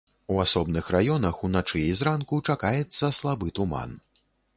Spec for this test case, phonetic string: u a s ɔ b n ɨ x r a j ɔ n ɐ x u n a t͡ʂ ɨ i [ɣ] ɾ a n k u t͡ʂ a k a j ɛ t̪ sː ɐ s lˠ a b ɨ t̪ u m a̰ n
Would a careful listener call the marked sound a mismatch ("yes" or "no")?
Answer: yes